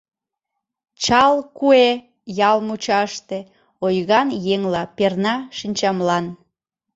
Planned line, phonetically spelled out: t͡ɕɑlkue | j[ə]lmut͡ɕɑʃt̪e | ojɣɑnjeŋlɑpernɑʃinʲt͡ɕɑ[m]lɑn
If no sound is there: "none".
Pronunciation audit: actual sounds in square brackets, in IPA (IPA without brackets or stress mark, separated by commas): ɑ, m